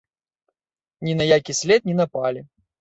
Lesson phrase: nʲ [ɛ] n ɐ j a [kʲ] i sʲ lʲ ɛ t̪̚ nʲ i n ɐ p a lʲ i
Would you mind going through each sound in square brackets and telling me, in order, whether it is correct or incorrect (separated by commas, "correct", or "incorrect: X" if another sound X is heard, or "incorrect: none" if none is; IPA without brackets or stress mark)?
incorrect: i, correct